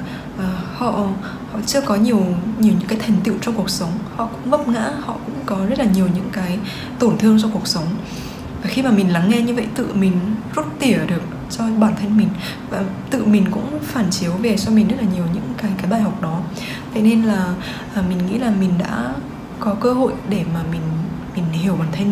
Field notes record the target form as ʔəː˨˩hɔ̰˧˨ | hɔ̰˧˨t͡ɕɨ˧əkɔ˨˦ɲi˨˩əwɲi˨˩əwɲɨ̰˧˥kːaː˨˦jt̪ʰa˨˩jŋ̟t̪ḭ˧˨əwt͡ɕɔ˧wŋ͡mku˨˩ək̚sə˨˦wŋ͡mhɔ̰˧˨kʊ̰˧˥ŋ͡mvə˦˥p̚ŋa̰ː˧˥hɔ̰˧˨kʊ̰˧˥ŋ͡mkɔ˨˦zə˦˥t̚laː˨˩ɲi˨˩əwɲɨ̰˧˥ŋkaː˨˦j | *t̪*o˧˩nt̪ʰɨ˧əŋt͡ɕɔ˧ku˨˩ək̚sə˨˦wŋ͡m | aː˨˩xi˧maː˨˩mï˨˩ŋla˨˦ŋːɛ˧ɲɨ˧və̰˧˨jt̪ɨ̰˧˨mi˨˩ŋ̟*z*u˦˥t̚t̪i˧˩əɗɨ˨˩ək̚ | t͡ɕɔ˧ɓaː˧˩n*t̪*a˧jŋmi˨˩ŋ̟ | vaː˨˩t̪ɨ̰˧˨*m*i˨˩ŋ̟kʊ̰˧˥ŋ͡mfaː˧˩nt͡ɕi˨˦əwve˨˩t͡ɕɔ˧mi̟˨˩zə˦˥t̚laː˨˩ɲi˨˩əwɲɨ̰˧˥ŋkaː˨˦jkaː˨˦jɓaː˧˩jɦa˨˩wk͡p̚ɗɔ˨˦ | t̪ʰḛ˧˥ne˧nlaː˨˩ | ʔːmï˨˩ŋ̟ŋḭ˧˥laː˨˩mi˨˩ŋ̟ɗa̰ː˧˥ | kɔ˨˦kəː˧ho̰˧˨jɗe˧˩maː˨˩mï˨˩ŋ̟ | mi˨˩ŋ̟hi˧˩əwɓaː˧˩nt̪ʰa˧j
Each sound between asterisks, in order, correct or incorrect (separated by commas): correct, correct, incorrect, correct